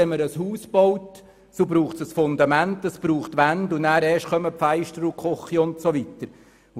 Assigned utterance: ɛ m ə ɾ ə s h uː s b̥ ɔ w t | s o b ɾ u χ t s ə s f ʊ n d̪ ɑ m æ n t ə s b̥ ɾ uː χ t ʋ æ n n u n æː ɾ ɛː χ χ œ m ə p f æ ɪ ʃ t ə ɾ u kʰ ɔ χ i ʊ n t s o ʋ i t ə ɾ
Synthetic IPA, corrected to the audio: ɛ m ə ɾ ə s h uː s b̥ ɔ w t | s o b ɾ uː χ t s ə s f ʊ n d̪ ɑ m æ n t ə s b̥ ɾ uː χ t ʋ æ n d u n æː ɾ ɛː ʃ χ œ m ə p f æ ɪ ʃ t ə ɾ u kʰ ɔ χ i ʊ n t s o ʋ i t ə ɾ